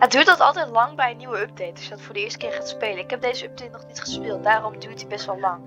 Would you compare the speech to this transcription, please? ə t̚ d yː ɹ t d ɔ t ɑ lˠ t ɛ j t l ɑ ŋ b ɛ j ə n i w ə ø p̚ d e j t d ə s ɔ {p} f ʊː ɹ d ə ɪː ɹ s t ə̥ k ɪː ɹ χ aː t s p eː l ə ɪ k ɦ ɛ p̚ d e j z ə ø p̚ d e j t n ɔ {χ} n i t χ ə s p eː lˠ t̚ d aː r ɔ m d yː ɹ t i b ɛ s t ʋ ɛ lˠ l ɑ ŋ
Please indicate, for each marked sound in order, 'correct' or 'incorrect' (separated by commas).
incorrect, correct